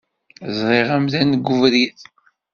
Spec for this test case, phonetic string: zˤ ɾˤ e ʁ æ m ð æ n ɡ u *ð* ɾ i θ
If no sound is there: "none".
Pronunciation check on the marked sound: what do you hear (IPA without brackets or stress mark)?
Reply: v